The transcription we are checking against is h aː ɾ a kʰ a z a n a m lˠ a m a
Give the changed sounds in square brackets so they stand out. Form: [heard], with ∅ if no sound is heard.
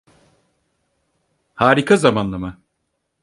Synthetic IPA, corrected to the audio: h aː ɾ [i] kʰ a z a [m] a [n] lˠ a m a